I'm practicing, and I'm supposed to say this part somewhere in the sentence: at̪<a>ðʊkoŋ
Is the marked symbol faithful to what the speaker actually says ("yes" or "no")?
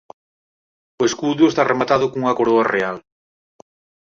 yes